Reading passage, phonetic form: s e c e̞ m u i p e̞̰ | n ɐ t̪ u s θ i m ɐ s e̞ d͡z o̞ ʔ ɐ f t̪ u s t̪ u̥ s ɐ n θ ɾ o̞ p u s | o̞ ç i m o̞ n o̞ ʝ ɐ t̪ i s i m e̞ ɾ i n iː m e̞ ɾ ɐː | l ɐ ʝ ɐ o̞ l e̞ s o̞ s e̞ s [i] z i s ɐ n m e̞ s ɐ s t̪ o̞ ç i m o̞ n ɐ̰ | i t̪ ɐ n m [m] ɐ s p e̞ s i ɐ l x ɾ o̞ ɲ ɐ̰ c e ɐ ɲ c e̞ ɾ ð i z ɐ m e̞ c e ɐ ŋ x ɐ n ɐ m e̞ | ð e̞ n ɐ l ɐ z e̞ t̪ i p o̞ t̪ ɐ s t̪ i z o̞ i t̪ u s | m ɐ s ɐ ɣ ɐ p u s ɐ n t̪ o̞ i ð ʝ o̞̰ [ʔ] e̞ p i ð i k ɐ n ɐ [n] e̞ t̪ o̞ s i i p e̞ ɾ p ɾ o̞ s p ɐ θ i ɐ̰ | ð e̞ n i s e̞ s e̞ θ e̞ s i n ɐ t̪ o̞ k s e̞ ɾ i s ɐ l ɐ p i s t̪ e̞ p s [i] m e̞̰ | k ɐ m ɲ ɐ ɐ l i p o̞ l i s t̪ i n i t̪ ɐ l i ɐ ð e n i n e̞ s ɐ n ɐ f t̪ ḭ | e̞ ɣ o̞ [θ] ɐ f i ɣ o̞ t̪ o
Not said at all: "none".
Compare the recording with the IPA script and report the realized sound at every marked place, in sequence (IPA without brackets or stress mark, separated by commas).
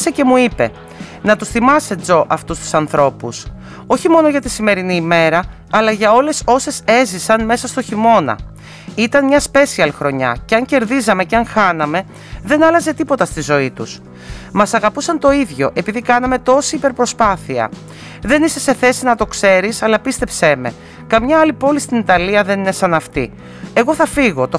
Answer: e, ɲ, ʔ, m, e, θ